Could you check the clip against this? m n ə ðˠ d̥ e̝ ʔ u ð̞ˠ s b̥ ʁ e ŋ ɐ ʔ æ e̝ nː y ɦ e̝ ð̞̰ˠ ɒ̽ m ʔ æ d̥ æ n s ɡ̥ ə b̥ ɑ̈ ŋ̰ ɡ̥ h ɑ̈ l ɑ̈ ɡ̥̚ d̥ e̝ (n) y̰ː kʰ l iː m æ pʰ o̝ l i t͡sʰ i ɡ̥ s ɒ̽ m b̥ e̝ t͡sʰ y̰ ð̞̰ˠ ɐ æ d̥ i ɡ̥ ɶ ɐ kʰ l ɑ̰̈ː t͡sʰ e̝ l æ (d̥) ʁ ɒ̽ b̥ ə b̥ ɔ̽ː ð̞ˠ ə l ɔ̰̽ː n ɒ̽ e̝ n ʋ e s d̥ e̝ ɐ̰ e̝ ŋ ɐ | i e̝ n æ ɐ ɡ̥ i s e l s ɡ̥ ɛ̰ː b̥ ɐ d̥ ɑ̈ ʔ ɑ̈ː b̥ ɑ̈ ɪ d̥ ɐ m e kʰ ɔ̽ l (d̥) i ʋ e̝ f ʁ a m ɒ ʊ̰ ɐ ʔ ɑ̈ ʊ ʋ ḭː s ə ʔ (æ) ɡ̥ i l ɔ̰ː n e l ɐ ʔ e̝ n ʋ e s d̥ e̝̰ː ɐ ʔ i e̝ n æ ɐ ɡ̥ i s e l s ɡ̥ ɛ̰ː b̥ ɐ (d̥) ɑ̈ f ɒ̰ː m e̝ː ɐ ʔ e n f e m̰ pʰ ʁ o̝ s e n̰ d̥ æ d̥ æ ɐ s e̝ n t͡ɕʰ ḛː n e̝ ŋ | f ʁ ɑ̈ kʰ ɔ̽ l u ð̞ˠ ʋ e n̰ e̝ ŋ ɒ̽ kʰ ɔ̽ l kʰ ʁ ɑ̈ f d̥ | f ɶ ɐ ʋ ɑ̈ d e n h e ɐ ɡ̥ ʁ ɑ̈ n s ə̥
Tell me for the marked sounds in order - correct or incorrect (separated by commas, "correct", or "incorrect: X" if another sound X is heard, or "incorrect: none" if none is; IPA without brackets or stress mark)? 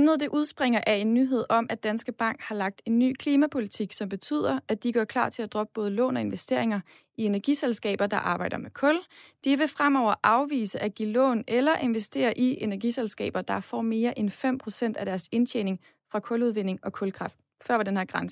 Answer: incorrect: nː, correct, correct, correct, correct